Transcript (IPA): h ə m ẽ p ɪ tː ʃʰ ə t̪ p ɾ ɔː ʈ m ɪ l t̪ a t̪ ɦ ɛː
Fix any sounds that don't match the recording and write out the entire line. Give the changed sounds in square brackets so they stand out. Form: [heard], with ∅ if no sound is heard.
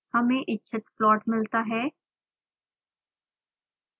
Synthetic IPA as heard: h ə m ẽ [ʔ] ɪ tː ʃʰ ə t̪ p [l] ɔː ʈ m ɪ l t̪ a [∅] ɦ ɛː